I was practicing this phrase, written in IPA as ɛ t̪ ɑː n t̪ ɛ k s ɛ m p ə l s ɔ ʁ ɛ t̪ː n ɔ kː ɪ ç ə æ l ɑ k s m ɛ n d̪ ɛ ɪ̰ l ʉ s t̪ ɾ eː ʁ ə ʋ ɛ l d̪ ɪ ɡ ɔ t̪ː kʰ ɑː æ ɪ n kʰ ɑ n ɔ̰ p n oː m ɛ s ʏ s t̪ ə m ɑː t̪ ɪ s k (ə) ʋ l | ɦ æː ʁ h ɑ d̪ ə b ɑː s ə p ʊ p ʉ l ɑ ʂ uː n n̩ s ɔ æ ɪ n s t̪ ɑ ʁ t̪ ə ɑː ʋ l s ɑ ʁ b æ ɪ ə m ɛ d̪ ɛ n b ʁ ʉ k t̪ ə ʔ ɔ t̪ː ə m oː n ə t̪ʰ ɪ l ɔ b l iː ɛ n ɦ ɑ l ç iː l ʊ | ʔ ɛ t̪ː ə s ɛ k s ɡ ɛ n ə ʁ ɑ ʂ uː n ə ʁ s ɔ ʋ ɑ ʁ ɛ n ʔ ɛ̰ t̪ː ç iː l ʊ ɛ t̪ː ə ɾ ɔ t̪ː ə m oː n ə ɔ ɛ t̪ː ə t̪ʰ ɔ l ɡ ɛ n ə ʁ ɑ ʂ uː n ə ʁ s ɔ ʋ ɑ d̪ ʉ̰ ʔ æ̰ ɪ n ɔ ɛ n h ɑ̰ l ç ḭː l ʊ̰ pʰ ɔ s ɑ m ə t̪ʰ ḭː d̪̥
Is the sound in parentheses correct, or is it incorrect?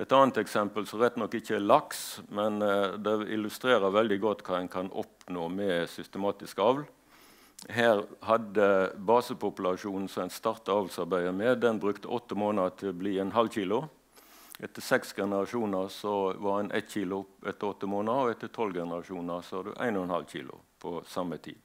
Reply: incorrect